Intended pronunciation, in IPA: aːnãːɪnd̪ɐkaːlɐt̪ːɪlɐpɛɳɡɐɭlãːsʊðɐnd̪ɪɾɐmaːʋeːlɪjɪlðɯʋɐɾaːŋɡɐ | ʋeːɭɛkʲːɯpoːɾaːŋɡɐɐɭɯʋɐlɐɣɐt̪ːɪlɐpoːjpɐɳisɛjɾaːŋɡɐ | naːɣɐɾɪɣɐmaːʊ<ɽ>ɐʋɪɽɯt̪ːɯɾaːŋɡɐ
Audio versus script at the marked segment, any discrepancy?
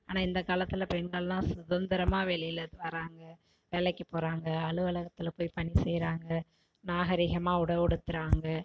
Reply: no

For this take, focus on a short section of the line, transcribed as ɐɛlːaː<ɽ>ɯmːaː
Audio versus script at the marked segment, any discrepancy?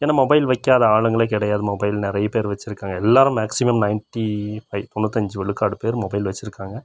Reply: yes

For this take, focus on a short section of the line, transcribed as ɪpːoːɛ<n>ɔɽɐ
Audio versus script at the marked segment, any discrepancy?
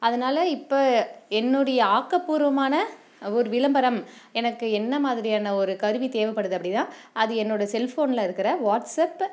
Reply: yes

